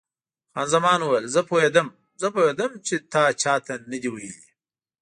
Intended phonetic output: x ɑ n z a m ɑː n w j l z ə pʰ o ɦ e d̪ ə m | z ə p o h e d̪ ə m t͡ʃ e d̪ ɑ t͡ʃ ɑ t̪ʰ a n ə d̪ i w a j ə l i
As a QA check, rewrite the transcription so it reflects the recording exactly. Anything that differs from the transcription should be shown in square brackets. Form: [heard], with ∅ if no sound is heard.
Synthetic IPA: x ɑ n z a m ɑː n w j l z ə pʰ o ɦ e d̪ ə m | z ə p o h e d̪ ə m t͡ʃ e [t̪] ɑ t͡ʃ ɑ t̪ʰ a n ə d̪ i w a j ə l i